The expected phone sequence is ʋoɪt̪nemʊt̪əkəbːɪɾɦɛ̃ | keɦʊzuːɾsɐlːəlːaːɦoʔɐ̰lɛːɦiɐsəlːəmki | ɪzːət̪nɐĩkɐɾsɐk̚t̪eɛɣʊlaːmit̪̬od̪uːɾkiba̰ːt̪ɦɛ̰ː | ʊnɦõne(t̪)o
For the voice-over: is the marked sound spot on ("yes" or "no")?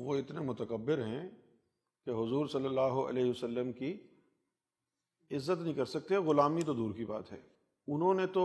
yes